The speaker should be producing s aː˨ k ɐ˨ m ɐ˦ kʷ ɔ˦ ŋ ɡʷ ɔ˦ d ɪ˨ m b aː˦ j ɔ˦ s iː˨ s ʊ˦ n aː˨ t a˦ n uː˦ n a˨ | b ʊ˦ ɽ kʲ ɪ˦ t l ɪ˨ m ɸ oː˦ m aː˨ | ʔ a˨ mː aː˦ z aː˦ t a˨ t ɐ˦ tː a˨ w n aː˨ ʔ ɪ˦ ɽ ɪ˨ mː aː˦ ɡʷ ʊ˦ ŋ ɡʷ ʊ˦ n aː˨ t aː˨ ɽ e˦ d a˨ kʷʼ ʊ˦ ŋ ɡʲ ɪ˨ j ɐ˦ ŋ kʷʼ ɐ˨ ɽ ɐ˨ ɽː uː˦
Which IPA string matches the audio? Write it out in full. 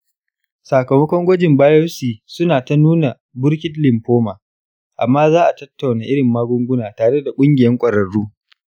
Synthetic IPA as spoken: s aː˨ k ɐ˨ m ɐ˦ kʷ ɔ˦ ŋ ɡʷ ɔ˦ d͡ʒ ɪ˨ m b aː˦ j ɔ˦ s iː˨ s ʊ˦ n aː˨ t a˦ n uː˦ n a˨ | b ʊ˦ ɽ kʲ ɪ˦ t l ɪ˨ m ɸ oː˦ m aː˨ | ʔ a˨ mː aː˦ z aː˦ ʔ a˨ t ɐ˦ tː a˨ w n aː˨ ʔ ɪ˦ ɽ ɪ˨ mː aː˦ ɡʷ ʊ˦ ŋ ɡʷ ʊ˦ n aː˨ t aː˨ ɽ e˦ d a˨ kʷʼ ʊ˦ ŋ ɡʲ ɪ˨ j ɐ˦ ŋ kʷʼ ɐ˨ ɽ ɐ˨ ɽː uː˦